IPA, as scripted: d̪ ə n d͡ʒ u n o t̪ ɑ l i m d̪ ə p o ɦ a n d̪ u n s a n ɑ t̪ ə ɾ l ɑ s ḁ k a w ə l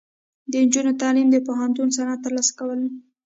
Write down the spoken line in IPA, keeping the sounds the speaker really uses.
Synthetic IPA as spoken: d̪ ə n d͡ʒ u n o t̪ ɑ l i m d̪ ə p o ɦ a n t̪ u n s a n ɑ t̪ ə ɾ l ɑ s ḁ k a w ə l